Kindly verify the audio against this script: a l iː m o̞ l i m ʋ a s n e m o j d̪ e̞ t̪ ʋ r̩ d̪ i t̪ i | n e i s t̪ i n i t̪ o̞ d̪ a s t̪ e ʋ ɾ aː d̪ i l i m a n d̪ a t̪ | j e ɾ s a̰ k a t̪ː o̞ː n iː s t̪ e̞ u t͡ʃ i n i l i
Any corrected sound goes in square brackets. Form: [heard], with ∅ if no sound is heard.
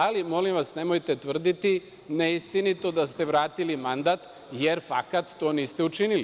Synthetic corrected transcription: a l [i] m o̞ l i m ʋ a s n e m o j [t̪] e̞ t̪ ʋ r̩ d̪ i t̪ i | n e i s t̪ i n i t̪ o̞ d̪ a s t̪ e ʋ ɾ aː [t̪] i l i m a n d̪ a t̪ | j e ɾ [f] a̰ k a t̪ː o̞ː n iː s t̪ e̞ u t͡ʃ i n i l i